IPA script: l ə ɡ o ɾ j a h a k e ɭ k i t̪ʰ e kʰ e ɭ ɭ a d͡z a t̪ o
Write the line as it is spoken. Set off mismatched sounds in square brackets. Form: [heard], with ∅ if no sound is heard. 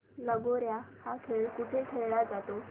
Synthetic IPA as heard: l ə ɡ o ɾ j a h a [kʰ] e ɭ k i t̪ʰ e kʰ e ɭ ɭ a d͡z a t̪ o